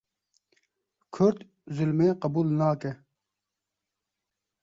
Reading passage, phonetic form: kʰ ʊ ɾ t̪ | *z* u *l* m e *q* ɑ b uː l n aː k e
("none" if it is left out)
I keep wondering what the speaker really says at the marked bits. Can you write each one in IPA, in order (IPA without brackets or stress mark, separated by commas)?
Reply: z, l, q